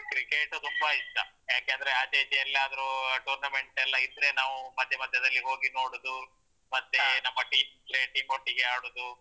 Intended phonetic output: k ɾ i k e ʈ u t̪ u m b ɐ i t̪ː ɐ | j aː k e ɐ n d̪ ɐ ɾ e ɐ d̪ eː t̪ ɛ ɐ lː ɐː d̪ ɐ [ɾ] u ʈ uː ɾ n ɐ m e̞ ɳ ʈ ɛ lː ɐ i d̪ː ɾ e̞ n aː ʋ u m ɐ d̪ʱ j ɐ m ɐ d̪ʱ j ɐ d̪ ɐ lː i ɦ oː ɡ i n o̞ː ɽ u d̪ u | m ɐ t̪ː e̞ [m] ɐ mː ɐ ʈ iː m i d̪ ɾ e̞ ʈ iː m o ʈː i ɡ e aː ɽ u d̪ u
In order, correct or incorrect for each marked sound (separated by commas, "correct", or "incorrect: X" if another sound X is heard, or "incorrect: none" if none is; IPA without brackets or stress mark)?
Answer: correct, incorrect: n